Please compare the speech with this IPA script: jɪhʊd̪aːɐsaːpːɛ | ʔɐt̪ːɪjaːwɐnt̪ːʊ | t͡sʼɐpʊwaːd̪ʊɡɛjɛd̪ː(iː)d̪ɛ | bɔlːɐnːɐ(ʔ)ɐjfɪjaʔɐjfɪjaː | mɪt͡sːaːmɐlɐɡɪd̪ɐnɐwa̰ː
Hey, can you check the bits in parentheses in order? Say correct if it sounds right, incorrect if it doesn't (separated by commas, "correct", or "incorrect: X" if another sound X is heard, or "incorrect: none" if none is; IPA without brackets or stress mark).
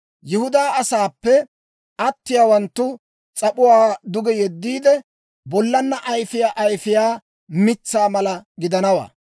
correct, correct